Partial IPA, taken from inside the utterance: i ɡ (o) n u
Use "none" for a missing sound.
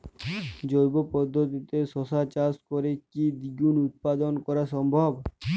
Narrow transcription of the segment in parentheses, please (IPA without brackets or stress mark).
u